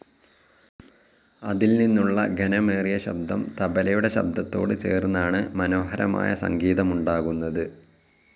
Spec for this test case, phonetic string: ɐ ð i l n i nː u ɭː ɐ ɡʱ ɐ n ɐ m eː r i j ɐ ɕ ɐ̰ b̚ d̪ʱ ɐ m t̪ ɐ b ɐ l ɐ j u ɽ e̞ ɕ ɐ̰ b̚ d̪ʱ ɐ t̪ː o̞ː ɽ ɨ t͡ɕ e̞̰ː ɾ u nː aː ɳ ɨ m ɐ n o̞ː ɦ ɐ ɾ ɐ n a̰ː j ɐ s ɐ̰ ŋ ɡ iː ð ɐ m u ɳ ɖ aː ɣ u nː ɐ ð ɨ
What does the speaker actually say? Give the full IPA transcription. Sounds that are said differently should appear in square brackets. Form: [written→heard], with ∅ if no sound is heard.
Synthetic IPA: ɐ ð i l n i nː u ɭː ɐ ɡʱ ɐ n ɐ m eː r i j ɐ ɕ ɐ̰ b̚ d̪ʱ ɐ m t̪ ɐ b ɐ l ɐ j u ɽ e̞ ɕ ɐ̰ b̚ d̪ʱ ɐ t̪ː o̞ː ɽ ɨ t͡ɕ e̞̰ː [ɾ→r] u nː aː ɳ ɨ m ɐ n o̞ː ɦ ɐ ɾ ɐ [n→m] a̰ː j ɐ s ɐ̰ ŋ ɡ iː ð ɐ m u ɳ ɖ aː ɣ u nː ɐ ð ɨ